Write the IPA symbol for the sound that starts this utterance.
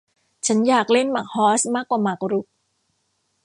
t͡ɕʰ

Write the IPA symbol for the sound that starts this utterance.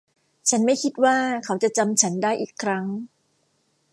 t͡ɕʰ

